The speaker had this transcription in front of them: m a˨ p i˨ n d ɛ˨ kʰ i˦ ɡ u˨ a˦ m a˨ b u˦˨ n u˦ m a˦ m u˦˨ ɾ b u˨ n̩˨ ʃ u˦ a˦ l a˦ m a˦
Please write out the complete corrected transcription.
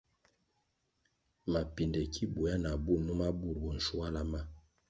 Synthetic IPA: m a˨ p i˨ n d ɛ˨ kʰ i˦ b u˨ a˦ n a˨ b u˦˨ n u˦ m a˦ b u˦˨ ɾ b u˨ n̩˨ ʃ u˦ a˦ l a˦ m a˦